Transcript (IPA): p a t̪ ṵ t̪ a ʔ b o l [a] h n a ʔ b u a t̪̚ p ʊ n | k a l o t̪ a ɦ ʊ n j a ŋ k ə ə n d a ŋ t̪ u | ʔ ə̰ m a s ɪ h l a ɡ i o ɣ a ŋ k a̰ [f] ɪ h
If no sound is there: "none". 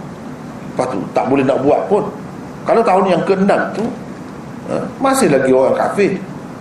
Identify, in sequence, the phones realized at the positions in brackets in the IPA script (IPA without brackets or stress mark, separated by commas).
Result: ɛ, f